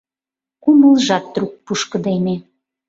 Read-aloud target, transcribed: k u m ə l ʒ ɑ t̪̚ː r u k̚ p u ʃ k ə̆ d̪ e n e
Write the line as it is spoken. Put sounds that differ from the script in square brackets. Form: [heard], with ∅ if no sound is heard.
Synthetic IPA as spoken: k u m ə l ʒ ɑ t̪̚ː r u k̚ p u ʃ k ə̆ d̪ e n e